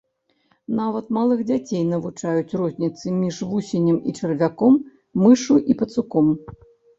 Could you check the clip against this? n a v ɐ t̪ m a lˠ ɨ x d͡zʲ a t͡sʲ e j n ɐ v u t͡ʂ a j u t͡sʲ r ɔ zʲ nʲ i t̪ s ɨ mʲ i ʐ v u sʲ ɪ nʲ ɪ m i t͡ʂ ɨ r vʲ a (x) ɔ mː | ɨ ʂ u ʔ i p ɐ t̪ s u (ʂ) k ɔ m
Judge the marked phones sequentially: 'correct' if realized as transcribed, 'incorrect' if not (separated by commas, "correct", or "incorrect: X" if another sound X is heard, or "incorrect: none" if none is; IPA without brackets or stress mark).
incorrect: k, incorrect: none